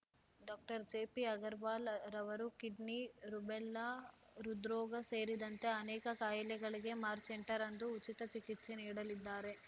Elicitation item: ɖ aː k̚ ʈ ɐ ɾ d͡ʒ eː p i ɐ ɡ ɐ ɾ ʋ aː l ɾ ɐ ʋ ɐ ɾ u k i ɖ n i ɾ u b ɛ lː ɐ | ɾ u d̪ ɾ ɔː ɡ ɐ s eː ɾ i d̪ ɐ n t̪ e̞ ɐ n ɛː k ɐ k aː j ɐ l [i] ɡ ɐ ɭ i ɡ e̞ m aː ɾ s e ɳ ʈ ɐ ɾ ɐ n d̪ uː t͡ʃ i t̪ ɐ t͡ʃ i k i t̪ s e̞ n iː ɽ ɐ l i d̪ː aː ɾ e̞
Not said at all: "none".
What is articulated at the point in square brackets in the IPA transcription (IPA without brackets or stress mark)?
ɛ